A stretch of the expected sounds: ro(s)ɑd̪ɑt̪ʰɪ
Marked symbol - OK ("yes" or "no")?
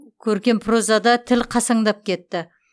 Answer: no